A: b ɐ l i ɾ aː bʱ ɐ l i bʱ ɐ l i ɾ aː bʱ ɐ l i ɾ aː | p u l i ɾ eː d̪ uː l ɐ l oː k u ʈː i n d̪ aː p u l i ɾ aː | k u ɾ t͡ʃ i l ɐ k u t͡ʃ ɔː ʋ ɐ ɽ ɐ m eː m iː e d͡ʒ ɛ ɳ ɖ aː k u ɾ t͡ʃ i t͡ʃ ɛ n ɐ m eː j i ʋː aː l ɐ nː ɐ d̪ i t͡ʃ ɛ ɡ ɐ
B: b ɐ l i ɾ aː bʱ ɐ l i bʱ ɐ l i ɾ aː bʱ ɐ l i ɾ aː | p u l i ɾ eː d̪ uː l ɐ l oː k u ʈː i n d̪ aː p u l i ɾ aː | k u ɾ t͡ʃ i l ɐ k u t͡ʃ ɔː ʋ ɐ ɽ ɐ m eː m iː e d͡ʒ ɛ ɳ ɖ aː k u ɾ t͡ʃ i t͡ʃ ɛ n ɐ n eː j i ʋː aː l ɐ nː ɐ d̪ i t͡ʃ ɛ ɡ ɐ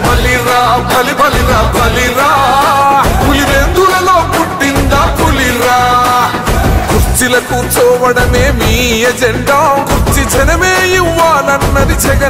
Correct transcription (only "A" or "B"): A